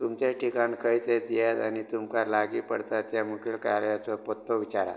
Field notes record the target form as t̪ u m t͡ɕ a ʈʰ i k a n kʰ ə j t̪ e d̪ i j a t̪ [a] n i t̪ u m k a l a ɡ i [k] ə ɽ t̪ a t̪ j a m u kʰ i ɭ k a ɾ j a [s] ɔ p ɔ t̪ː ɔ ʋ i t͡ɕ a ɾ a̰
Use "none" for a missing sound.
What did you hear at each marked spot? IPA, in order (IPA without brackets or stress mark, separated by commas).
a, p, t͡s